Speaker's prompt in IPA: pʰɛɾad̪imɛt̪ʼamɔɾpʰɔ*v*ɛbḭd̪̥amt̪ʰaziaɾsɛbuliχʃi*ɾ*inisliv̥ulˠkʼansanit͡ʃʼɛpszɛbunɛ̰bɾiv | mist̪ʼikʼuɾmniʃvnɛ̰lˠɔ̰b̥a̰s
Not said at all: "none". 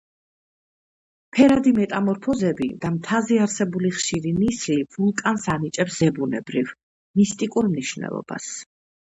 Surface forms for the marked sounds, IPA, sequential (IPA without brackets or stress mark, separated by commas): z, ɾ